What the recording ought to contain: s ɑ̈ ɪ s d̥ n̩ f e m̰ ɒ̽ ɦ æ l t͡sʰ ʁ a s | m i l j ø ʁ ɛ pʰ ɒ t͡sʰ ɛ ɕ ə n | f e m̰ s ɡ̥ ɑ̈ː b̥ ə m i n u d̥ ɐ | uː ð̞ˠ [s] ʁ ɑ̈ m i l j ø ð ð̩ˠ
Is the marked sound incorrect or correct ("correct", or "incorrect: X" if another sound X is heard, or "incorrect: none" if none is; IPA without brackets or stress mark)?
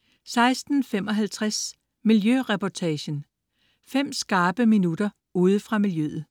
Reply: incorrect: f